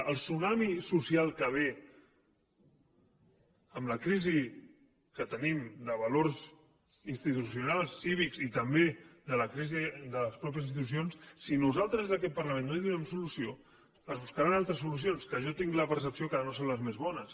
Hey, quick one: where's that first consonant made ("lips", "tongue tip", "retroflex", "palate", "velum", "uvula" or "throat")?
tongue tip